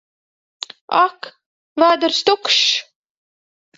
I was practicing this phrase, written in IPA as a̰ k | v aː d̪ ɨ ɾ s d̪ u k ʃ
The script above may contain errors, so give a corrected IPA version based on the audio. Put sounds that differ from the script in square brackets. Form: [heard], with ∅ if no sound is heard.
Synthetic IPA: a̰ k | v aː d̪ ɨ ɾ s [t̪] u k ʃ